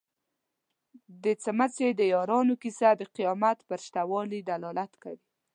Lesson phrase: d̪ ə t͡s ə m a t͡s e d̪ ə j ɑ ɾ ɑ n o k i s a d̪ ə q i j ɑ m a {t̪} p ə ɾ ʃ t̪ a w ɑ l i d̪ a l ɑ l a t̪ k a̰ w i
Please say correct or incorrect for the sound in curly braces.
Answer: correct